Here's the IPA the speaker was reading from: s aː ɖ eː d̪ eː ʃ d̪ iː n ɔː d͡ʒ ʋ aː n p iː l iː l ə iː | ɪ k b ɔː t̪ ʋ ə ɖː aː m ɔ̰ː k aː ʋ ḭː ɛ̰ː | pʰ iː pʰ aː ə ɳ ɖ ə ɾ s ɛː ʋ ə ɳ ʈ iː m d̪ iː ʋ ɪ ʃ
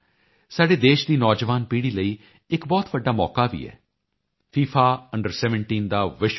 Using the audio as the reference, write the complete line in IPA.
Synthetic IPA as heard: s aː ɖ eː d̪ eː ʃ d̪ iː n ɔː d͡ʒ ʋ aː n p iː ɽ iː l ə iː | ɪ k b ɔː t̪ ʋ ə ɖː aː m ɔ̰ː k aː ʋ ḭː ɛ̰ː | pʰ iː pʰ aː ə ɳ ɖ ə ɾ s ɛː ʋ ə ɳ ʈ iː n d̪ aː ʋ ɪ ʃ